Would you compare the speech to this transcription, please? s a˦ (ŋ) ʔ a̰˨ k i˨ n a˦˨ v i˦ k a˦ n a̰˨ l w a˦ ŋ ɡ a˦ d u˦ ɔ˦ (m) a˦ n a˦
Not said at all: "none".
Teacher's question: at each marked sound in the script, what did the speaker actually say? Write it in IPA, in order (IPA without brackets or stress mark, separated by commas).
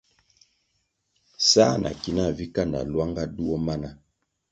n, m